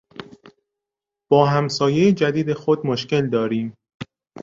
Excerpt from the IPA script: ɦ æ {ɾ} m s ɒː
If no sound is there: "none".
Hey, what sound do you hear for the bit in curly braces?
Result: none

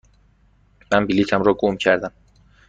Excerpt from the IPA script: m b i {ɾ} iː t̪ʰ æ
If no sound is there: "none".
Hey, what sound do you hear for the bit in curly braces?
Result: l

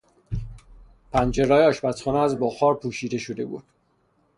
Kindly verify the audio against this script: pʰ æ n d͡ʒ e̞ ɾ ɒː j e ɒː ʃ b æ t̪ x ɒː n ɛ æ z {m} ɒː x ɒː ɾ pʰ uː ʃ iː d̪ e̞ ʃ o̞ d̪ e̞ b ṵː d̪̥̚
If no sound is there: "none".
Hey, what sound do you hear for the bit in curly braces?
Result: b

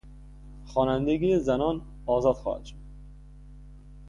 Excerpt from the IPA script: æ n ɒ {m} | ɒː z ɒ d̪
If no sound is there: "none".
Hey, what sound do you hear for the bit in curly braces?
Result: n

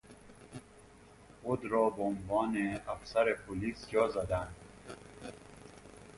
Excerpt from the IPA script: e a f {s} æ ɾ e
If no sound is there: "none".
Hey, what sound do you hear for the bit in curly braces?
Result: s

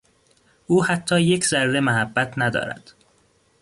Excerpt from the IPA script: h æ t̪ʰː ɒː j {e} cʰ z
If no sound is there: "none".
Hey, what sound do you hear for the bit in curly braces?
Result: e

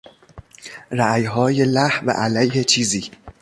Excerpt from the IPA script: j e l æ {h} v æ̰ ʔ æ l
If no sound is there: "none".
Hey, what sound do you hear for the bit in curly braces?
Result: h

